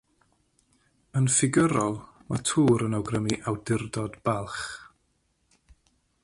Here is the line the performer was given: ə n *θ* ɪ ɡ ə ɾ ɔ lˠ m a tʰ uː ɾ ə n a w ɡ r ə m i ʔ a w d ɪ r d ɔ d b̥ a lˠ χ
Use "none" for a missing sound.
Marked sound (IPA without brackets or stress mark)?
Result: f